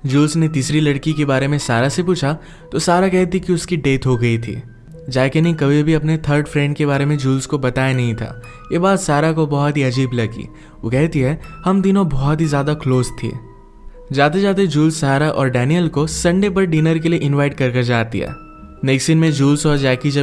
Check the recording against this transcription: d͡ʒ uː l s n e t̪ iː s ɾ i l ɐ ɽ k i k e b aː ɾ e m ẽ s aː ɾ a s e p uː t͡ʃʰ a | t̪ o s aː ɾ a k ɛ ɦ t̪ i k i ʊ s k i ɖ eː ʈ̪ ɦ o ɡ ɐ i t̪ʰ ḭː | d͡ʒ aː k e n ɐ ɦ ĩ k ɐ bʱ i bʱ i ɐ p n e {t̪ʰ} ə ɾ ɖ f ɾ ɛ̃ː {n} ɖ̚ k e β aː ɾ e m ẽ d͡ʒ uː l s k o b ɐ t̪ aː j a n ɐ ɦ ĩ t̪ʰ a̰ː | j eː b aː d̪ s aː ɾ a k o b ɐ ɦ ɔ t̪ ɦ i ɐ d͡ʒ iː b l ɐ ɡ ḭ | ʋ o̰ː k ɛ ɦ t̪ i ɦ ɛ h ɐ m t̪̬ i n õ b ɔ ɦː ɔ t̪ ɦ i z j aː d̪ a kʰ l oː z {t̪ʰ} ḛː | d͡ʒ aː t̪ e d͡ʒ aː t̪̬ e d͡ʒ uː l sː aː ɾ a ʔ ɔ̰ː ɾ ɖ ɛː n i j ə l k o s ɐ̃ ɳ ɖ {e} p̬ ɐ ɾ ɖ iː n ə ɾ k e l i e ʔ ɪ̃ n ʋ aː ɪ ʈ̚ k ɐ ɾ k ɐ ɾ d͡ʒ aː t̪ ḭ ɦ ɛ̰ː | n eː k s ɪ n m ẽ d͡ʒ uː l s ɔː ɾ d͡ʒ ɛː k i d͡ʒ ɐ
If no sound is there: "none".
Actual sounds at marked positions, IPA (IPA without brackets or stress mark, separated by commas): t̪ʰ, ɳ, t̪ʰ, e